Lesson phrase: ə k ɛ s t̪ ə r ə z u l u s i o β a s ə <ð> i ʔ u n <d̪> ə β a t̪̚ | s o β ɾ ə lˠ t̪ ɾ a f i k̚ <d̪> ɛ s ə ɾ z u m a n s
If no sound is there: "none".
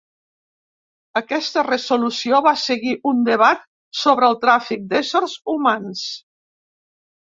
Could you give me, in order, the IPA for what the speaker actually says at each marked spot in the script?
ɣ, d̪, d̪

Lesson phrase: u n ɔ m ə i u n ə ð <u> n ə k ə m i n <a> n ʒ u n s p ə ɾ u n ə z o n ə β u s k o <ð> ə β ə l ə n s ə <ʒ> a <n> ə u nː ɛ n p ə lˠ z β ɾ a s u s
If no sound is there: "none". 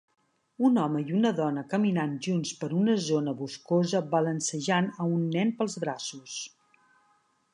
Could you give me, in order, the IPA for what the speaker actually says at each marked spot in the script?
ɔ, a, z, ʒ, n

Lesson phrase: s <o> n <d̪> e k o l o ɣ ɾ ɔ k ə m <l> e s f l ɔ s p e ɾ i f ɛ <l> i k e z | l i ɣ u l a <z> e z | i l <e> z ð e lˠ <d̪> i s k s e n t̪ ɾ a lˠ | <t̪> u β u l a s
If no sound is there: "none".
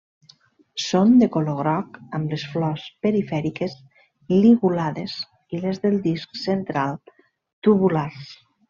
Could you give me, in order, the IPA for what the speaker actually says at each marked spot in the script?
o, d̪, l, ɾ, ð, e, d̪, t̪

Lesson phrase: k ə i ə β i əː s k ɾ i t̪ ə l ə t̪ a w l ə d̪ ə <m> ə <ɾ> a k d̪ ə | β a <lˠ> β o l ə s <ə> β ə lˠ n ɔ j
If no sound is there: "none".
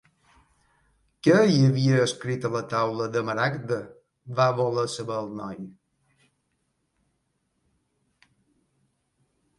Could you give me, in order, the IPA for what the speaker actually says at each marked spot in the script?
m, ɾ, none, ə

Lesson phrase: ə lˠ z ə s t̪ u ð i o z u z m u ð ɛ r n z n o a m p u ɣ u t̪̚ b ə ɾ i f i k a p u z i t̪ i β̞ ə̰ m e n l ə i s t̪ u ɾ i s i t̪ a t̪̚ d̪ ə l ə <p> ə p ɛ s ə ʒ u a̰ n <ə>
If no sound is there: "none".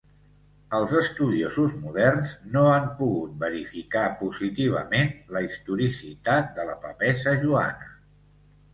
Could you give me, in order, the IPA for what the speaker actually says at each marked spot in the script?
p, ə

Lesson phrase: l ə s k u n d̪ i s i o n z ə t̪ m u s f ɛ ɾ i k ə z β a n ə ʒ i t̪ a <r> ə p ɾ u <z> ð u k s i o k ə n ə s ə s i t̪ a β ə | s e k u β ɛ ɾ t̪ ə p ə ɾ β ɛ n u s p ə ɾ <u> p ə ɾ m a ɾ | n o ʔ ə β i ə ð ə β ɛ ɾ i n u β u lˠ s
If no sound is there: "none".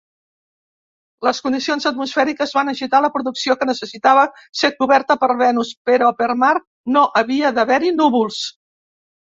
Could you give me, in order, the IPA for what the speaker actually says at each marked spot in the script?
l, none, ɔ

